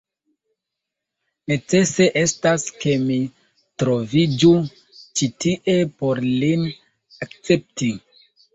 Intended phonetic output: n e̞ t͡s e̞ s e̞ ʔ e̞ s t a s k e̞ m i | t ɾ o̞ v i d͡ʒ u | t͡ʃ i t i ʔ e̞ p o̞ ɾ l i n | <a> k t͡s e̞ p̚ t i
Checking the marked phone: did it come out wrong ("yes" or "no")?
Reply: no